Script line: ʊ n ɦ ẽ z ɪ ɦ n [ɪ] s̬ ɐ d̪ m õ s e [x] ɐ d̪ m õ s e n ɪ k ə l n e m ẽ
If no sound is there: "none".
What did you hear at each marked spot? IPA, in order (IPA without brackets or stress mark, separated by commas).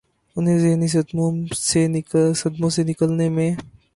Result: i, s